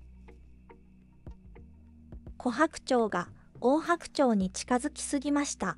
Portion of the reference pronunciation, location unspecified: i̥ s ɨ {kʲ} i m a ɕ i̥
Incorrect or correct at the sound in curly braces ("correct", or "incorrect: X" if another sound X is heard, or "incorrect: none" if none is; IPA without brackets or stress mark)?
incorrect: ɡʲ